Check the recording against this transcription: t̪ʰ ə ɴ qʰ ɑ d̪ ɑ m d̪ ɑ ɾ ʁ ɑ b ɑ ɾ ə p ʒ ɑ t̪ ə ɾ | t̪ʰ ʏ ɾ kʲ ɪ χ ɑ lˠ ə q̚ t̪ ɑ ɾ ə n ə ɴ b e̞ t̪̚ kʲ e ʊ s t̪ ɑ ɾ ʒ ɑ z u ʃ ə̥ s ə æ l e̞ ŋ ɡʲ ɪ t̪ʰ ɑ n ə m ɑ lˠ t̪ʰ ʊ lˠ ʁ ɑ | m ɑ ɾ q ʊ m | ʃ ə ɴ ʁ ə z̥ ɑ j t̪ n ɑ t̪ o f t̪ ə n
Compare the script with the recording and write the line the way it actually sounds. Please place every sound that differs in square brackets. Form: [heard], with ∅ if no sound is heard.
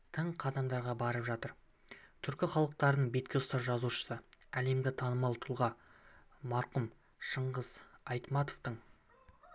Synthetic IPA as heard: t̪ʰ ə ɴ qʰ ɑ d̪ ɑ m d̪ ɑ ɾ ʁ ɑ b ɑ ɾ ə p ʒ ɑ t̪ ə ɾ | t̪ʰ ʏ ɾ kʲ ɪ χ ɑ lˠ ə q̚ t̪ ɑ ɾ ə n ə ɴ b e̞ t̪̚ kʲ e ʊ s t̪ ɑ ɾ ʒ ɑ z u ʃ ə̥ s ə æ l e̞ [m] ɡʲ ɪ t̪ʰ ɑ n ə m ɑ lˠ t̪ʰ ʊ lˠ ʁ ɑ | m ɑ ɾ q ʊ m | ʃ ə ɴ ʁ ə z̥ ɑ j t̪ [m] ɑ t̪ o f t̪ ə [ɴ]

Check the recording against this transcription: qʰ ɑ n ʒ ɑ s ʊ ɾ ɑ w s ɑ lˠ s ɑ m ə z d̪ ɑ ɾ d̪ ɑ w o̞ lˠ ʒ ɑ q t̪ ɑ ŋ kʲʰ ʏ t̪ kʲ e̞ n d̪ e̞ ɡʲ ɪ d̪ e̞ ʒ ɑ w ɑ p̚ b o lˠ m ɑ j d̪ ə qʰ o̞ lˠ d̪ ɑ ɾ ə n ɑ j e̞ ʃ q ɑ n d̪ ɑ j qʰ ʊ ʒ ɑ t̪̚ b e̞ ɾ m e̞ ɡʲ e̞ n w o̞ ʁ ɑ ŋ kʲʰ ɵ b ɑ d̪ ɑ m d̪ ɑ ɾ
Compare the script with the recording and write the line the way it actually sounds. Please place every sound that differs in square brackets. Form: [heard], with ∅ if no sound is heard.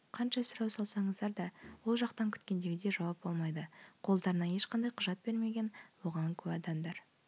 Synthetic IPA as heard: qʰ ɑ n [ʃ] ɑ s ʊ ɾ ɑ w s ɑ lˠ s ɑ [ɴ] ə z d̪ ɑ ɾ d̪ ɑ w o̞ lˠ ʒ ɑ q t̪ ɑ ŋ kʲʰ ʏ t̪ kʲ e̞ n d̪ e̞ ɡʲ ɪ d̪ e̞ ʒ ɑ w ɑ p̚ b o lˠ m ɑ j d̪ ə qʰ o̞ lˠ d̪ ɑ ɾ ə n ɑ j e̞ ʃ q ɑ n d̪ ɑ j qʰ ʊ ʒ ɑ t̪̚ b e̞ ɾ m e̞ ɡʲ e̞ n w o̞ ʁ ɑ ŋ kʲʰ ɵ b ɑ d̪ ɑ m d̪ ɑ ɾ

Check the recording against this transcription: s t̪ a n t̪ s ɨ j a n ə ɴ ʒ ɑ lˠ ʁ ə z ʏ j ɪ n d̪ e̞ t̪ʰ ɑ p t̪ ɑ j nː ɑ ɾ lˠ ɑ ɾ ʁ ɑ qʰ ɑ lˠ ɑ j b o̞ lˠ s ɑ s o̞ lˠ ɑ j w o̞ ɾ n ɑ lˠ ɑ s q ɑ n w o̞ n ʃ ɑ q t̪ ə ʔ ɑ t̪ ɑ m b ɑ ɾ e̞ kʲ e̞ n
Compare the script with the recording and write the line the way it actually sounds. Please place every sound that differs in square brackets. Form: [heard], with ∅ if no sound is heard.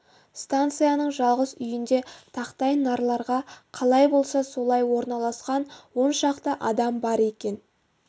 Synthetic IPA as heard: s t̪ a n t̪ s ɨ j a n ə ɴ ʒ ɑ lˠ ʁ ə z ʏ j ɪ n d̪ e̞ t̪ʰ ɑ [q] t̪ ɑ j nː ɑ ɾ lˠ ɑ ɾ ʁ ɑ qʰ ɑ lˠ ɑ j b o̞ lˠ s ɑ s o̞ lˠ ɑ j w o̞ ɾ n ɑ lˠ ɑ s q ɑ n w o̞ n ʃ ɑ q t̪ ə ʔ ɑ [d̪] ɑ m b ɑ ɾ e̞ kʲ e̞ n

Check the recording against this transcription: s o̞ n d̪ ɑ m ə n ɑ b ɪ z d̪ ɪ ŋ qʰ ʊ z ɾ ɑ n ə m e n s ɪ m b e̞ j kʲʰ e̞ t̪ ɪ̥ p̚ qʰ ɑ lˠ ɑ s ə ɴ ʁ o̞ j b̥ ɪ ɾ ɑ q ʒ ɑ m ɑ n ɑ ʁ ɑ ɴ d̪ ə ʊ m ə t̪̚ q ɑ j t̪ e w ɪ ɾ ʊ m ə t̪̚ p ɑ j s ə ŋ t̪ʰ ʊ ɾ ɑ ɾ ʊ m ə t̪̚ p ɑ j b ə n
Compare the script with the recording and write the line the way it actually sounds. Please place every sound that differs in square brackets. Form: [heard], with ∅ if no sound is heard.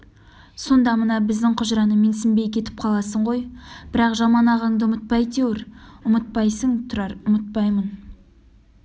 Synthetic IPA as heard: s o̞ n d̪ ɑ m ə n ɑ b ɪ z d̪ ɪ ŋ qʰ ʊ [ʒ] ɾ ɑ n ə m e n s ɪ m b e̞ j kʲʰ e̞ t̪ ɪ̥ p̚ qʰ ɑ lˠ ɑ s ə ɴ ʁ o̞ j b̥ ɪ ɾ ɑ q ʒ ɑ m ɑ n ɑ ʁ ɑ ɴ d̪ ə ʊ m ə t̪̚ [p] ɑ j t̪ e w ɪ ɾ ʊ m ə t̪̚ p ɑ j s ə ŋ t̪ʰ ʊ ɾ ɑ ɾ ʊ m ə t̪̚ p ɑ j [m] ə n

